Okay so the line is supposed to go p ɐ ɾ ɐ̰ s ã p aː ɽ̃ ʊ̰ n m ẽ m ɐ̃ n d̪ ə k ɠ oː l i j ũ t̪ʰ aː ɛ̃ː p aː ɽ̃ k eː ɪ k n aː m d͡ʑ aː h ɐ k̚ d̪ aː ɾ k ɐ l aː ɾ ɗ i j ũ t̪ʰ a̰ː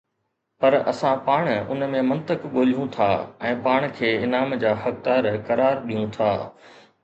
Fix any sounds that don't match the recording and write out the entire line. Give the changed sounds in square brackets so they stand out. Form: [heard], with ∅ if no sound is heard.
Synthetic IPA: p ɐ ɾ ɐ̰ s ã p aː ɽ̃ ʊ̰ n m ẽ m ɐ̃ n [t̪] ə k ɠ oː l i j ũ t̪ʰ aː ɛ̃ː p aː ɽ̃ [kʰ] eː ɪ [∅] n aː m d͡ʑ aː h ɐ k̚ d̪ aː ɾ k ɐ [ɾ] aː ɾ ɗ i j ũ t̪ʰ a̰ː